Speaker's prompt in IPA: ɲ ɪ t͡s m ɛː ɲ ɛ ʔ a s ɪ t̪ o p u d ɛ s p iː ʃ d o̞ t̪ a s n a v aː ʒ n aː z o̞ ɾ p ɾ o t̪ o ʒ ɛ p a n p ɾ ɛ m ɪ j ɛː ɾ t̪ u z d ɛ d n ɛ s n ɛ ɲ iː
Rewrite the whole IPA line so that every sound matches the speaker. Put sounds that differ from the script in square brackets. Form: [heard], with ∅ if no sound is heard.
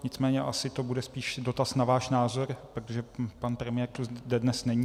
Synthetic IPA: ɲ ɪ t͡s m ɛː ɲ ɛ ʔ a s ɪ t̪ o [b] u d ɛ s p iː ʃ d o̞ t̪ a s n a v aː [ʃ] n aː z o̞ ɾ p ɾ o t̪ o ʒ ɛ p a n p ɾ ɛ m ɪ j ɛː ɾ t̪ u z d ɛ d n ɛ s n ɛ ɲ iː